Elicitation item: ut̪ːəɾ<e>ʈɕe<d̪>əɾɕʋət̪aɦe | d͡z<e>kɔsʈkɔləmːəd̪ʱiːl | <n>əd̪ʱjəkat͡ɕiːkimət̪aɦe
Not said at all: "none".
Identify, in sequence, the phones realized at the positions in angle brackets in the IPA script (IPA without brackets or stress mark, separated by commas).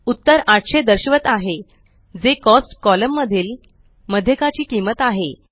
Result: a, d̪, e, m